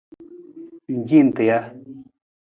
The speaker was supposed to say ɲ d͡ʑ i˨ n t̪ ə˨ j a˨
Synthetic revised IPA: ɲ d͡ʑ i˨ n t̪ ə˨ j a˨

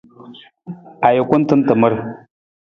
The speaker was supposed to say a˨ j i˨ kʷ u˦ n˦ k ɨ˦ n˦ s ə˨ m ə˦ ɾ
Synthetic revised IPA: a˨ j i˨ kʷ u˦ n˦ t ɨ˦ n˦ t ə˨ m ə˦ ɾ

